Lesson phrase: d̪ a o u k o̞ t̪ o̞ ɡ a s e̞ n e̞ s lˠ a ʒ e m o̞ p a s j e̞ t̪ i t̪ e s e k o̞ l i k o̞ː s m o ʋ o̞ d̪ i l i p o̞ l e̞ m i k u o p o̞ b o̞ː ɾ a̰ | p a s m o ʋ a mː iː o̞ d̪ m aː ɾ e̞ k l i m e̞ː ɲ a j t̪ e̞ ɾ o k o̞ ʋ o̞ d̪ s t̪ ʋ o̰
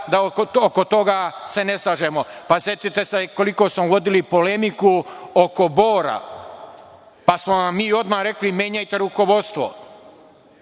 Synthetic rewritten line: d̪ a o o k o̞ t̪ o̞ ɡ a s e̞ n e̞ s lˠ a ʒ e m o̞ p a s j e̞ t̪ i t̪ e s e k o̞ l i k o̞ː s m o ʋ o̞ d̪ i l i p o̞ l e̞ m i k u o k o̞ b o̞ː ɾ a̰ | p a s m o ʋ a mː iː o̞ d̪ m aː ɾ e̞ k l i m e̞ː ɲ a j t̪ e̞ ɾ u k o̞ ʋ o̞ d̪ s t̪ ʋ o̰